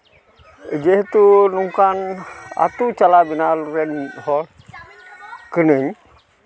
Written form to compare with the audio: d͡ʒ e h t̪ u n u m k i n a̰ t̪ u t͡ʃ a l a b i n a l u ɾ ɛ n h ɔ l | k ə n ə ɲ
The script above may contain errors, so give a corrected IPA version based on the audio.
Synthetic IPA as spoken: d͡ʒ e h t̪ u n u ŋ k a n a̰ t̪ u t͡ʃ a l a b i n a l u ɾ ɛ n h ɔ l | k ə n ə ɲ